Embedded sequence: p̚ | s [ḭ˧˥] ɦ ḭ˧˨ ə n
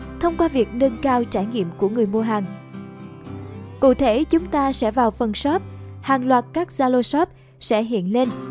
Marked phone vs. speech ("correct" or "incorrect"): incorrect